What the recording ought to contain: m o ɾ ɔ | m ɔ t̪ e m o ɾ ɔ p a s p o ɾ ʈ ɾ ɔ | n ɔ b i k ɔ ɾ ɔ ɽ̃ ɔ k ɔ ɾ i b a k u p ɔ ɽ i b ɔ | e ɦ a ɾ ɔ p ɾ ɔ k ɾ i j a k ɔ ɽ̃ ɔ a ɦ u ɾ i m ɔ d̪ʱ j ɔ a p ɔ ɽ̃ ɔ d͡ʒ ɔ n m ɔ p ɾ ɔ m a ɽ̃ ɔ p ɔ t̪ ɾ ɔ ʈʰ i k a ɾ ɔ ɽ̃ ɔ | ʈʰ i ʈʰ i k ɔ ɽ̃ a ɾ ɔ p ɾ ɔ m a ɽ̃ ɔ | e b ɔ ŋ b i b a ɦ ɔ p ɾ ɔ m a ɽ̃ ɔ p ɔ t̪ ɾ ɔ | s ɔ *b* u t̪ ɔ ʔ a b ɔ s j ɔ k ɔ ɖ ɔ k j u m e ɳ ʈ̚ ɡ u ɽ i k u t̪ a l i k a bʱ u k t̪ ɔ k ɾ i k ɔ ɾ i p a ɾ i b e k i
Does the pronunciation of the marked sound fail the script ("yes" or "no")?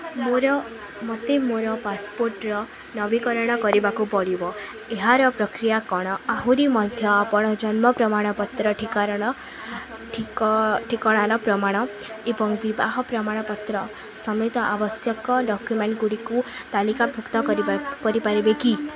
yes